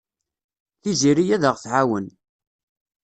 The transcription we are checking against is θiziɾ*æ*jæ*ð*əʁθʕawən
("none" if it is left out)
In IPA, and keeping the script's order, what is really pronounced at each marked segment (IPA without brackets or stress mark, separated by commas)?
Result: i, ð